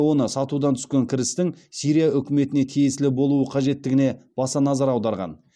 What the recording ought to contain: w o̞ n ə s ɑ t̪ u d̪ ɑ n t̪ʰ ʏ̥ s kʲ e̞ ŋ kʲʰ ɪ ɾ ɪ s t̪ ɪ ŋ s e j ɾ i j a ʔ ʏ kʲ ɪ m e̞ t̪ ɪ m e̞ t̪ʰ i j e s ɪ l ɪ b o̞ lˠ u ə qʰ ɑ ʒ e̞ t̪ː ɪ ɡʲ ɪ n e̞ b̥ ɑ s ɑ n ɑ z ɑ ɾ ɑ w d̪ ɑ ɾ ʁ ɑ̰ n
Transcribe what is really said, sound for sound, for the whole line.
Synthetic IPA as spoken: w o̞ n ə s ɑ t̪ u d̪ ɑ n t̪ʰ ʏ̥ s kʲ e̞ ŋ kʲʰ ɪ ɾ ɪ s t̪ ɪ ŋ s i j ɾ i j a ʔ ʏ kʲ ɪ m e̞ t̪ ɪ n e̞ t̪ʰ i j e s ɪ l ɪ b o̞ lˠ u ə qʰ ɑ ʒ e̞ t̪ː ɪ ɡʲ ɪ n e̞ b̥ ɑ s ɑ n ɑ z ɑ ɾ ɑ w d̪ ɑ ɾ ʁ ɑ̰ n